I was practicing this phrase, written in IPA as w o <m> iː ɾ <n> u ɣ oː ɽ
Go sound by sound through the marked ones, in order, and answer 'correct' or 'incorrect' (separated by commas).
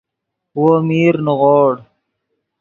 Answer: correct, correct